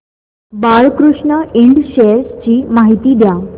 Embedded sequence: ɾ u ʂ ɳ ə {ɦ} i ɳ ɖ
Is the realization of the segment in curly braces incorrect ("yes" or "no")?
yes